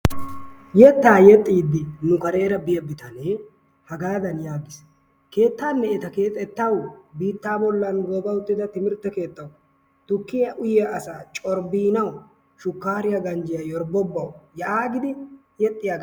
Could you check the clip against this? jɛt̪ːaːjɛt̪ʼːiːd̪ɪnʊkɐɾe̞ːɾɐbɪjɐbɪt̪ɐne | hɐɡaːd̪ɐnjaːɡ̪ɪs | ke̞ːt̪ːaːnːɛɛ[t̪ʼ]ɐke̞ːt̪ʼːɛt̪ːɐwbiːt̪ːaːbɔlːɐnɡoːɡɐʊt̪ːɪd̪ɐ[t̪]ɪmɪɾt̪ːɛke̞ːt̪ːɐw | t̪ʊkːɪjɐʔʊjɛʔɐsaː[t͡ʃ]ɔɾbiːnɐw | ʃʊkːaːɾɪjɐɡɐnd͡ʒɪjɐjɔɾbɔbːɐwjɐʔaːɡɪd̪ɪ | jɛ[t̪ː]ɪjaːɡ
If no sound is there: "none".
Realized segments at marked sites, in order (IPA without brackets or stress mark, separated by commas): t̪, t̪, t͡ʃʼ, t̪ʼː